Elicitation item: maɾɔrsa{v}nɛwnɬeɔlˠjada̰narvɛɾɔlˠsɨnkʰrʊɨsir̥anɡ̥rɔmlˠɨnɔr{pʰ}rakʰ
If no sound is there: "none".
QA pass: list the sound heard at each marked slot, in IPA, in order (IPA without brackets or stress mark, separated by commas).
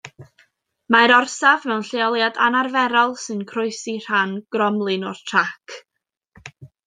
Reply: v, tʰ